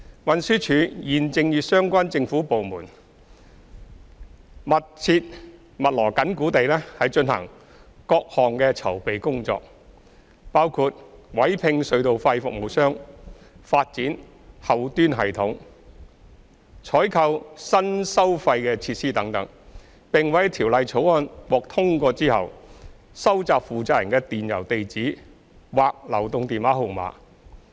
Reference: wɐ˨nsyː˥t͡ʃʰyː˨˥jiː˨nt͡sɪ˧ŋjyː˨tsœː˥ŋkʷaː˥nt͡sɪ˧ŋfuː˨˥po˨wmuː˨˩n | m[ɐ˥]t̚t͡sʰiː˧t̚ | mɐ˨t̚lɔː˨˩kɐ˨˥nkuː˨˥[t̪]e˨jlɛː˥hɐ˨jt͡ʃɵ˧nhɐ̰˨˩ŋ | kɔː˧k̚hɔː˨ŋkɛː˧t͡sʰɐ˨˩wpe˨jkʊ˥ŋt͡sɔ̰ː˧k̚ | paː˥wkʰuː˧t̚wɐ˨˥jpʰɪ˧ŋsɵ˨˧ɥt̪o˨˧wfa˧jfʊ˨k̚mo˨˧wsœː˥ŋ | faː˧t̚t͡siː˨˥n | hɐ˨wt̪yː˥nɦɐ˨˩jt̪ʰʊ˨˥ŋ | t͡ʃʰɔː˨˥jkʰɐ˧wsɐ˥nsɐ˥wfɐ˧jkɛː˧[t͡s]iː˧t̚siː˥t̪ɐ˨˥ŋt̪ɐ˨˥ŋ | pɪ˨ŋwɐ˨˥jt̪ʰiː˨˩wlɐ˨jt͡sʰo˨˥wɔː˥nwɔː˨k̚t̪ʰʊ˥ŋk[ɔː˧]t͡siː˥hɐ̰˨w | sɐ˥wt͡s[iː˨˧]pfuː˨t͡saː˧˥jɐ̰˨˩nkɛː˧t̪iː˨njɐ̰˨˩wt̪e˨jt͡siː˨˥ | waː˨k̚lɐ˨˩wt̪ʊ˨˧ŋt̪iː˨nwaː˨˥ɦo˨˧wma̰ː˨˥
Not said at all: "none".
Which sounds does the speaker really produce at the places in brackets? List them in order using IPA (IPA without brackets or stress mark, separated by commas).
ɐ˨, t̪, t͡sʰ, ɔː˧, aː˨˧